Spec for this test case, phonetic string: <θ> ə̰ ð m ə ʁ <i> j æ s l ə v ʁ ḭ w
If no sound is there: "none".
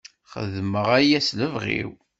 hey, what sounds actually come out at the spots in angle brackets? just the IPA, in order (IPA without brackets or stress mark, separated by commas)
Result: χ, æ